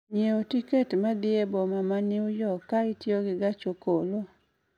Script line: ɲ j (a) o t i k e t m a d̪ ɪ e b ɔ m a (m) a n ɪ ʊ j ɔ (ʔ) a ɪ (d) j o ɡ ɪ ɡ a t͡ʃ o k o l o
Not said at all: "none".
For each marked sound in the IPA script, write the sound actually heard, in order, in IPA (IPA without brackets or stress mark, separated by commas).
e, m, k, t